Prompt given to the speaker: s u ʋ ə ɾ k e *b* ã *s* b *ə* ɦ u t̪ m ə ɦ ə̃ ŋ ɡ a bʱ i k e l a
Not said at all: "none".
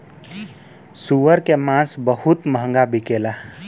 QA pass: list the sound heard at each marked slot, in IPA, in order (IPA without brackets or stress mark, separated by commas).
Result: m, s, ə